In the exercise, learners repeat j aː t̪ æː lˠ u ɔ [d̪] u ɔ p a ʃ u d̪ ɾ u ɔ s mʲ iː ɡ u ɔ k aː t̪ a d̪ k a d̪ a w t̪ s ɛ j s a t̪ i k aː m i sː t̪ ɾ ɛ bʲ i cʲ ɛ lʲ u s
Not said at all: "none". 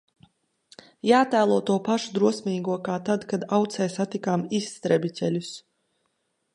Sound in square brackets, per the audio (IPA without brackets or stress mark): t̪